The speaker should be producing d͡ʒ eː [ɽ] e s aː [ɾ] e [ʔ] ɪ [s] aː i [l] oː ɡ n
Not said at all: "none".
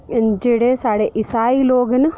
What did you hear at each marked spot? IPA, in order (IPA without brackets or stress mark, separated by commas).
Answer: ɽ, ɽ, ʔ, s, l